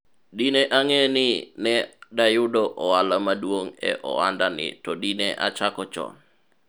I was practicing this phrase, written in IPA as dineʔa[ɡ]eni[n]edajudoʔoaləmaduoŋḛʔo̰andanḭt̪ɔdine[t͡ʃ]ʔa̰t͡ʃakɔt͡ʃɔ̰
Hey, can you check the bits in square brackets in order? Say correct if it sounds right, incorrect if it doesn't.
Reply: incorrect, correct, incorrect

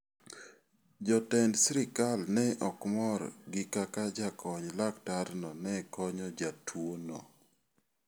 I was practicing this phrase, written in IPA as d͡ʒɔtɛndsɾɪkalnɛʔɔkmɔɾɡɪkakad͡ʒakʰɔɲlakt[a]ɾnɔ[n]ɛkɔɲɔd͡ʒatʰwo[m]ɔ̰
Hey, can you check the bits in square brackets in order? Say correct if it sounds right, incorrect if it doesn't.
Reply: correct, correct, incorrect

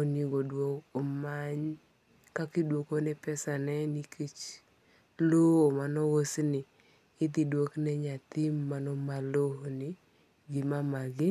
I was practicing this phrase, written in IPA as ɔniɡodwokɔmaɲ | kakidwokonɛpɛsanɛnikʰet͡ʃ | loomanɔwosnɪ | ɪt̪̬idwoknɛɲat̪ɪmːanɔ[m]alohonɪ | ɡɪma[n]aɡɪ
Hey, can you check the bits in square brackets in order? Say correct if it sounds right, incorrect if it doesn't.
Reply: correct, incorrect

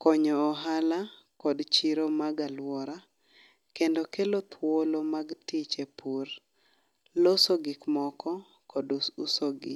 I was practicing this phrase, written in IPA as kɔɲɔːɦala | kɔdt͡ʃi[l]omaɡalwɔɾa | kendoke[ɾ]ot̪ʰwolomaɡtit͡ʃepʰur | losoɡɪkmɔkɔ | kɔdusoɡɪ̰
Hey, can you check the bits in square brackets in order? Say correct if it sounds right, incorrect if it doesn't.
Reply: incorrect, incorrect

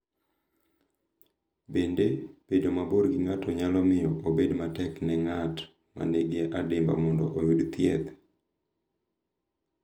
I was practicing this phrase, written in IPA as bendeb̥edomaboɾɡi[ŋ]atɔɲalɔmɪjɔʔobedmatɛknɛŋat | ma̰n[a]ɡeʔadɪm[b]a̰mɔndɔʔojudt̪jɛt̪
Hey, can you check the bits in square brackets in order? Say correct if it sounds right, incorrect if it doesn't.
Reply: correct, incorrect, correct

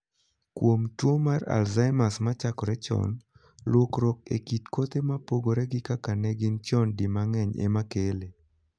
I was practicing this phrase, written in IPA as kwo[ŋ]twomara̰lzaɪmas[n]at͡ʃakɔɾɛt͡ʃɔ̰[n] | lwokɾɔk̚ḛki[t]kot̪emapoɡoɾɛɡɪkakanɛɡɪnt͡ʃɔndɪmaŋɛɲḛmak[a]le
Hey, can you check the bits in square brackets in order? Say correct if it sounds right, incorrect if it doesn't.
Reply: incorrect, incorrect, correct, correct, incorrect

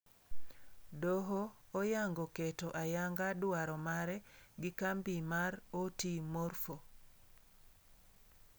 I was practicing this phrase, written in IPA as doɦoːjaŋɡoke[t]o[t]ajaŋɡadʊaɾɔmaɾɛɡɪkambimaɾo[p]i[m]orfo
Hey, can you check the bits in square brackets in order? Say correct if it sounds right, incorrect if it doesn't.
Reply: correct, incorrect, incorrect, correct

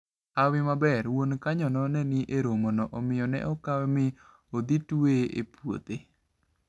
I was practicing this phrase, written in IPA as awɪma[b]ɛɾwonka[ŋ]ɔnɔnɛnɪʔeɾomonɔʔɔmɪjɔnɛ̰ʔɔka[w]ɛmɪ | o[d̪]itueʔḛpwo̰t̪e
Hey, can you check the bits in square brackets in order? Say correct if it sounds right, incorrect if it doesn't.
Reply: correct, incorrect, correct, correct

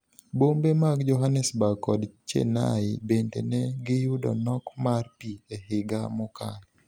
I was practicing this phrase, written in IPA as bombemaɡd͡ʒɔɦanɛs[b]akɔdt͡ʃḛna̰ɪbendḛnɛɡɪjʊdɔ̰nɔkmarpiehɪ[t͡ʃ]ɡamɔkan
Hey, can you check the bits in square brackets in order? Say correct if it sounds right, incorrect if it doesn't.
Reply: correct, incorrect

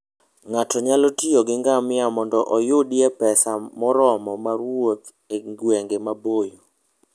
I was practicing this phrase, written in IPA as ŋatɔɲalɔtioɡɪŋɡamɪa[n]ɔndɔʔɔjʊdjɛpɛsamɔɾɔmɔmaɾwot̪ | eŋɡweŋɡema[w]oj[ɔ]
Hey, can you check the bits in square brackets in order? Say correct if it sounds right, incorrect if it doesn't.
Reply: incorrect, incorrect, incorrect

